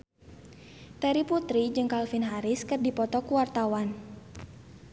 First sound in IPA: t̪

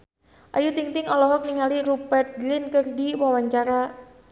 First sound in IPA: ʔ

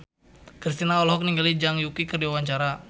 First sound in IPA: k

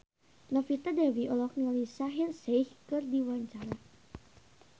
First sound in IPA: n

